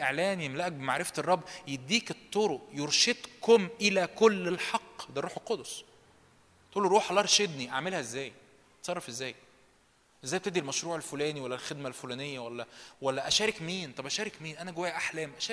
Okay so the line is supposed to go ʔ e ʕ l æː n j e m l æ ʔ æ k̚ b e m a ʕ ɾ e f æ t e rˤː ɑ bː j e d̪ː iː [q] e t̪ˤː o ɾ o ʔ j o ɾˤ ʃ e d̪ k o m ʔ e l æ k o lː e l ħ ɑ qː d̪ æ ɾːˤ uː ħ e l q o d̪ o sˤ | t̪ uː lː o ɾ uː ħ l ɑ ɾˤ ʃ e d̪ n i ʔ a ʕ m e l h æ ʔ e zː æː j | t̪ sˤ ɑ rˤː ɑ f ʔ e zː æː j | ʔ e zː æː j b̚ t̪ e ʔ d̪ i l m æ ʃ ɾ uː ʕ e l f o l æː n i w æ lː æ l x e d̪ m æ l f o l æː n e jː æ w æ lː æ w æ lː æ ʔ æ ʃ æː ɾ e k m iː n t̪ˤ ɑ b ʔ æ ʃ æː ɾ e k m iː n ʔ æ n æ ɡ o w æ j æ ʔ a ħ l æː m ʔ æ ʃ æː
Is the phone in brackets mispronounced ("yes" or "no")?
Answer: yes